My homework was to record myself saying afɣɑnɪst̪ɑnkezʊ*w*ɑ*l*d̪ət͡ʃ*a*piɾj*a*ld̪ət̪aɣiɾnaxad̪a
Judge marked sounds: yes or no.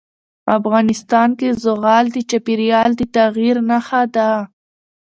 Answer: no, yes, yes, no

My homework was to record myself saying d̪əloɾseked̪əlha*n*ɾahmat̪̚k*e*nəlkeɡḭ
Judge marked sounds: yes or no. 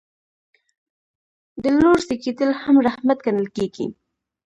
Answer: no, no

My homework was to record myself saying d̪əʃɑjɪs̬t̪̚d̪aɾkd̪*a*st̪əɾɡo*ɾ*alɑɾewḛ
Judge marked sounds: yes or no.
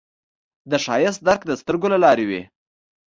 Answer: no, no

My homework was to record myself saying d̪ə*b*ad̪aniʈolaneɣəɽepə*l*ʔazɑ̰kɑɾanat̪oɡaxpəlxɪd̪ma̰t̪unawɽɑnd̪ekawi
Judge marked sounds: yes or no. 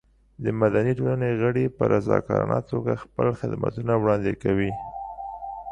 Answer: no, no

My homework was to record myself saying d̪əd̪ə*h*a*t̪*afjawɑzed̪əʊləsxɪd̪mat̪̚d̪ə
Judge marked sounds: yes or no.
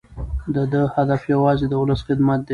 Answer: yes, no

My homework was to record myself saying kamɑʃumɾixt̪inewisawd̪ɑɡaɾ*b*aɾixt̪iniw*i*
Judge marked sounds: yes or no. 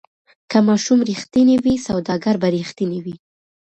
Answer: yes, yes

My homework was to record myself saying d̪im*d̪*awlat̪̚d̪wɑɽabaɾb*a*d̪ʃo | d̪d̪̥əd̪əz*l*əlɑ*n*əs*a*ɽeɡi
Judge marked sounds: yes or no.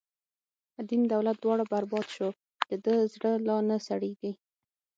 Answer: yes, no, no, yes, yes

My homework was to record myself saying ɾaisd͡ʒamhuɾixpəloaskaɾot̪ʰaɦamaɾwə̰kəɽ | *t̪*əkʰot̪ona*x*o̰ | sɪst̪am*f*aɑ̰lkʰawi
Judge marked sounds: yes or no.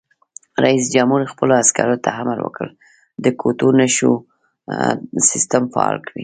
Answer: no, no, yes

